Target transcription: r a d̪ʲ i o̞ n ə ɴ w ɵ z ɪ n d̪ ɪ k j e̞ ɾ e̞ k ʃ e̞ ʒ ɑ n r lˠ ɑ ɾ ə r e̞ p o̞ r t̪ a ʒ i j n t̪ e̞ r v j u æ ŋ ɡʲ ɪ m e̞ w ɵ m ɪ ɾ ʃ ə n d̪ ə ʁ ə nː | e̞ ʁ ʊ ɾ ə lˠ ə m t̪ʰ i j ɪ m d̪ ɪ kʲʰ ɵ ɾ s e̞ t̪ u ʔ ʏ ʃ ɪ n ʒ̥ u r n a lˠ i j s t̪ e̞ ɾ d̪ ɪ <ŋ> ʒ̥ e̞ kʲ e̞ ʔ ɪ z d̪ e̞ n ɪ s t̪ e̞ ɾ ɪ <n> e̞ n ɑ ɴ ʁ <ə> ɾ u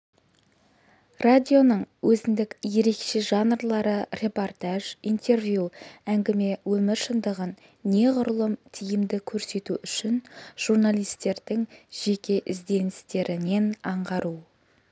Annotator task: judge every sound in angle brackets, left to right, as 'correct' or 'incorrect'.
correct, correct, incorrect: ɑ

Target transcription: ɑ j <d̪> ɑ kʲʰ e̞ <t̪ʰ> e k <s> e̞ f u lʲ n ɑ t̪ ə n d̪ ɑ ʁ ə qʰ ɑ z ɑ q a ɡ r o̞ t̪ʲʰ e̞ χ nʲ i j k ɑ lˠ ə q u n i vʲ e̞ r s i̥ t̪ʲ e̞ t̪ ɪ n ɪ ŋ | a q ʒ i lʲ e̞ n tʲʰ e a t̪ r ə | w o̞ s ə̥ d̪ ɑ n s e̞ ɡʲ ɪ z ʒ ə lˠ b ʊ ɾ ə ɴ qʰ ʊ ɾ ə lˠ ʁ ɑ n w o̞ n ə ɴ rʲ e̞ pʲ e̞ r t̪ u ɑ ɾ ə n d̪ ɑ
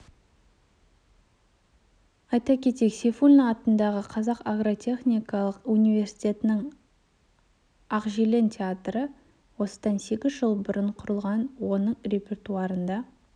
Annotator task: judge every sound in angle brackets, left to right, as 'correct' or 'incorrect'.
incorrect: t̪, incorrect: t̪, correct

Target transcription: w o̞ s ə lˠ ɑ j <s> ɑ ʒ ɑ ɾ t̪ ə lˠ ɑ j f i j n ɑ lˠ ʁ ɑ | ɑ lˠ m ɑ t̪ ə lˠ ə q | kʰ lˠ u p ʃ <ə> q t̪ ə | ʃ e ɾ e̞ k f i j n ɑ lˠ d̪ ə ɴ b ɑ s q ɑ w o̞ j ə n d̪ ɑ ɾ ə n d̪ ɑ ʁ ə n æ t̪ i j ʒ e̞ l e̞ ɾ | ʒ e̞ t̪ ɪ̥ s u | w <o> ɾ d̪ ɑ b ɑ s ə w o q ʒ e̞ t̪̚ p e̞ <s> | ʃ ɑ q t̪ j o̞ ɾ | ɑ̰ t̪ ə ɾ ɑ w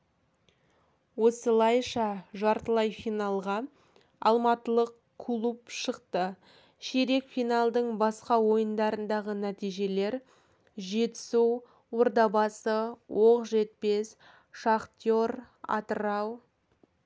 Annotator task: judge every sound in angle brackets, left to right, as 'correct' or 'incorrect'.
incorrect: ʃ, correct, correct, correct

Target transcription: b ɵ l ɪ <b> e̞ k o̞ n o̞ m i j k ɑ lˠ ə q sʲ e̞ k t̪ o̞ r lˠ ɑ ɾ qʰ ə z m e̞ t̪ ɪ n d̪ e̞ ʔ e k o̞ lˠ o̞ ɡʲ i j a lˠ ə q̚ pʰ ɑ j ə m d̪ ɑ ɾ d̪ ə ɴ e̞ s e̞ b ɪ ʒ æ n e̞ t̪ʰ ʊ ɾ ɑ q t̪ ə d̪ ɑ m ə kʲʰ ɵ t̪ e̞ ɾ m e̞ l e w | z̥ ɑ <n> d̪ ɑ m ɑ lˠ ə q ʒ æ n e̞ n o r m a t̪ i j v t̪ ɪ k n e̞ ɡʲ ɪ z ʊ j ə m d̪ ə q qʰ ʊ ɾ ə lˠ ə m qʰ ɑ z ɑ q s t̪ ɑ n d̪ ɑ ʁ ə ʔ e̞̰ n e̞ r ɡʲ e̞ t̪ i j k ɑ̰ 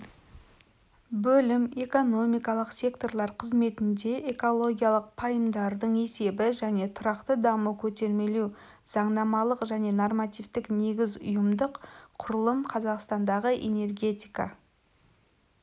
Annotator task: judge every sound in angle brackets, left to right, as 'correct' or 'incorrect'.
incorrect: m, incorrect: ɴ

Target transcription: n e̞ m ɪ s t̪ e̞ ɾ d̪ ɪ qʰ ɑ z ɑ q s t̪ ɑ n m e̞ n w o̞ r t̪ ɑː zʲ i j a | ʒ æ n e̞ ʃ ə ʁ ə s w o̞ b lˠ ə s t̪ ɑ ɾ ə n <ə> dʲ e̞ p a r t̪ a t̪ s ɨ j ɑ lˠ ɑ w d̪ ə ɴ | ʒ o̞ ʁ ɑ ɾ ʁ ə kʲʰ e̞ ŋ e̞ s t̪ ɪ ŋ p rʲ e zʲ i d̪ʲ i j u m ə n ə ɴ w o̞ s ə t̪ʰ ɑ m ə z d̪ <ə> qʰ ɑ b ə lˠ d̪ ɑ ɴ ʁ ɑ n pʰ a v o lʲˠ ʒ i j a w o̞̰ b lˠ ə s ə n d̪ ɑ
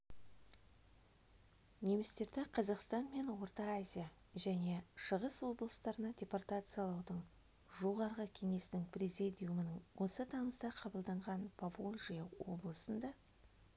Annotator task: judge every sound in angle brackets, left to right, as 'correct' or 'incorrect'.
incorrect: ɑ, incorrect: ɑ

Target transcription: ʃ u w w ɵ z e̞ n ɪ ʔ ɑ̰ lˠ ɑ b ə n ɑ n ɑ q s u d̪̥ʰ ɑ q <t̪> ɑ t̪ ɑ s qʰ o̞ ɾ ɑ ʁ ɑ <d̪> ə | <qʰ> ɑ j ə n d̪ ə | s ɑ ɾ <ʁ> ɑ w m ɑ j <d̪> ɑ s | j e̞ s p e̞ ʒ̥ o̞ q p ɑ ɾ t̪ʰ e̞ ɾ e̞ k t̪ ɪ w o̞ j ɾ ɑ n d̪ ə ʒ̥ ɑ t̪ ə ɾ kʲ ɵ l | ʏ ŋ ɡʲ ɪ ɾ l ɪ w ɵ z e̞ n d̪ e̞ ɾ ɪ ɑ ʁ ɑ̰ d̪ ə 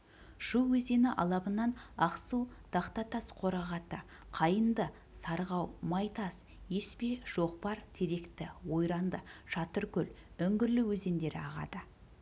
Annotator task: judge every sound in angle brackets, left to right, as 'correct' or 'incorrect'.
correct, incorrect: t̪, correct, correct, incorrect: t̪

